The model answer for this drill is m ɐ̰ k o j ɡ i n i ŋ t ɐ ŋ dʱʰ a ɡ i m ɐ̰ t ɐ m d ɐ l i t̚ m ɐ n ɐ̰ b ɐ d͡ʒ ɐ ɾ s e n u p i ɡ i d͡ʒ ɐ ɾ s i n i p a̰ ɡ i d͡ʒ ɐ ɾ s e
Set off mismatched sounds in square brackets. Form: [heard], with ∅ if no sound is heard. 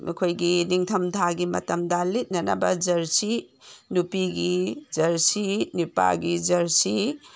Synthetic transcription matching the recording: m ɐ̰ [kʰ] o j ɡ i n i ŋ [tʰ] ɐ [m] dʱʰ a ɡ i m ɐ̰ t ɐ m d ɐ l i t̚ [n] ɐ n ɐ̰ b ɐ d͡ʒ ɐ ɾ s [i] n u p i ɡ i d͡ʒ ɐ ɾ s i n i p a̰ ɡ i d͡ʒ ɐ ɾ s [i]